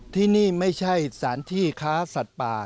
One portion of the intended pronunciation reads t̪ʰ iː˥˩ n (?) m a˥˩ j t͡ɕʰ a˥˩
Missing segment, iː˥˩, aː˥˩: iː˥˩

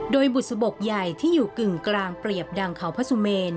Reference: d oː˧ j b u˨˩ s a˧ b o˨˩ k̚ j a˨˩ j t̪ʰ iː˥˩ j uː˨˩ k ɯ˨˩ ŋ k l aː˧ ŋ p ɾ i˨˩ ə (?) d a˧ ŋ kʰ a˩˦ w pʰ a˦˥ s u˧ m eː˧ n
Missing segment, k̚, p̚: p̚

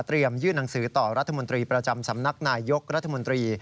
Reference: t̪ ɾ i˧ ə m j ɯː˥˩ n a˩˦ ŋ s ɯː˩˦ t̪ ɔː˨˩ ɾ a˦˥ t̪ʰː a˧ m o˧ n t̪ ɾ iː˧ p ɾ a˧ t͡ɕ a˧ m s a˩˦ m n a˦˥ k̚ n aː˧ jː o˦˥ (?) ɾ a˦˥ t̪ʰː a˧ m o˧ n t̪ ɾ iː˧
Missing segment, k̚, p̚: k̚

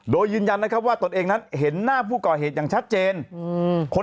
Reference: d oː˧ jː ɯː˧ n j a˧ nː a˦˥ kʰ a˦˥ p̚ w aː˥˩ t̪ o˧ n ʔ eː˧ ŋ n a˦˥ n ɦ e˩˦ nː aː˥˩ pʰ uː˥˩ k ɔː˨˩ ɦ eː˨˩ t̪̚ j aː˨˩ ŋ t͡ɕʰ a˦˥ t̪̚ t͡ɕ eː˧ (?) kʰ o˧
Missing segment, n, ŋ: n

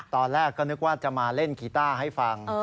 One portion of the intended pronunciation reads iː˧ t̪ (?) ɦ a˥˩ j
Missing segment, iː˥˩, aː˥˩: aː˥˩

